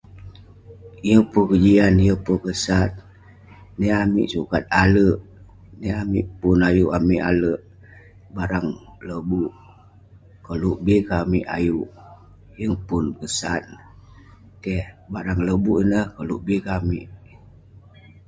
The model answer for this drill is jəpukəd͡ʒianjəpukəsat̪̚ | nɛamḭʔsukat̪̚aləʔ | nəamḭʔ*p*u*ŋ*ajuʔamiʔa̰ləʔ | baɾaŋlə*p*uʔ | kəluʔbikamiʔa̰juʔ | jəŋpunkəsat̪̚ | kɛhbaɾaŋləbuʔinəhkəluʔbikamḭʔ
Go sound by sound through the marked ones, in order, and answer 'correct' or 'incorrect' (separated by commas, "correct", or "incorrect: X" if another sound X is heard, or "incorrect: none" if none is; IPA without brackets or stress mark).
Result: correct, incorrect: n, incorrect: b